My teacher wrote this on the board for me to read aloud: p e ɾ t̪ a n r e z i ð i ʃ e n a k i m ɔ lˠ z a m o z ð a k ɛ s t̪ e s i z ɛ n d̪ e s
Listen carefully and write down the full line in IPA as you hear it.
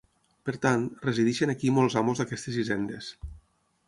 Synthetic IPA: p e ɾ t̪ a n r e z i ð i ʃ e n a k i m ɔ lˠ z a m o z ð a k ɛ s t̪ e z i z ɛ n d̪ e s